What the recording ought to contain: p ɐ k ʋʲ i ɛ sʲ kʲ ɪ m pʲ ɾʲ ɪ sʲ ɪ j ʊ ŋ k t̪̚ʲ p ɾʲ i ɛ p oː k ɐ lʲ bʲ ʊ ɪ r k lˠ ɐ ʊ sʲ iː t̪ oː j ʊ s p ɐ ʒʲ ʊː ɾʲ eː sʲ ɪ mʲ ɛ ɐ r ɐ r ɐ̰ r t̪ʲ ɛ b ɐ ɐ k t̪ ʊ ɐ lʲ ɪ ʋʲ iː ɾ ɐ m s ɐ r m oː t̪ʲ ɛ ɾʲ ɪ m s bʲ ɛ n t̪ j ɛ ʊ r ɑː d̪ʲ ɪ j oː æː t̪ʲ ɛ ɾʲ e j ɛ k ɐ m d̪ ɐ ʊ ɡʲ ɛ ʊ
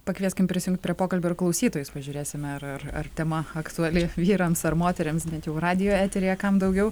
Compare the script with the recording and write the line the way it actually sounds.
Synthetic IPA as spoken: p ɐ k ʋʲ i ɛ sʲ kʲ ɪ m pʲ ɾʲ ɪ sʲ ɪ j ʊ ŋ k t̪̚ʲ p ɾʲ i ɛ p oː k ɐ lʲ bʲ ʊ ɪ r k lˠ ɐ ʊ sʲ iː t̪ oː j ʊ s p ɐ ʒʲ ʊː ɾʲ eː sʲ ɪ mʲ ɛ ɐ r ɐ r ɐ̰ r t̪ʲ ɛ m ɐ ɐ k t̪ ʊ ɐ lʲ ɪ ʋʲ iː ɾ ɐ m s ɐ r m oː t̪ʲ ɛ ɾʲ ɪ m s bʲ ɛ n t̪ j ɛ ʊ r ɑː d̪ʲ ɪ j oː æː t̪ʲ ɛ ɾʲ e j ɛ k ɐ m d̪ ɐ ʊ ɡʲ ɛ ʊ